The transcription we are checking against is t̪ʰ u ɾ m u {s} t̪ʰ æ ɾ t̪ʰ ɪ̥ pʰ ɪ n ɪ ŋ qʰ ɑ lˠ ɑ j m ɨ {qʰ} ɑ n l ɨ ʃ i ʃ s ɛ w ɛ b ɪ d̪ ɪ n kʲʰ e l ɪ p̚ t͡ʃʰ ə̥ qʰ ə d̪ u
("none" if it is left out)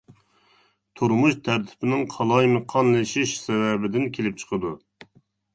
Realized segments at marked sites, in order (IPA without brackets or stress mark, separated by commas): ʃ, qʰ